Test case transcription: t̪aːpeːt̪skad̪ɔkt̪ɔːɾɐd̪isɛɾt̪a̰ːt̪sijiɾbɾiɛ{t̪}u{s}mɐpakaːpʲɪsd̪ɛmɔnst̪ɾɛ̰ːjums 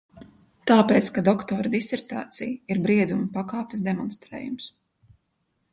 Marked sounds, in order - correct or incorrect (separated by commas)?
incorrect, incorrect